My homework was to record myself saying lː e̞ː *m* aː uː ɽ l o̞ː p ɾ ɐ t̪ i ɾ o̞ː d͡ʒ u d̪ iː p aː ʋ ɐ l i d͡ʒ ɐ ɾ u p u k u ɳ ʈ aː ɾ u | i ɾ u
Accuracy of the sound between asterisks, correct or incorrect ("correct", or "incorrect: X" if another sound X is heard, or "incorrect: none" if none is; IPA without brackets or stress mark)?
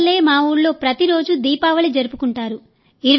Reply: correct